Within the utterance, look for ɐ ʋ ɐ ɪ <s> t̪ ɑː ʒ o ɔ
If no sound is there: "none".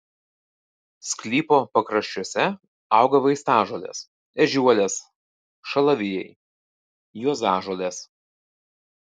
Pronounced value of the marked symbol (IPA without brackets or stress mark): s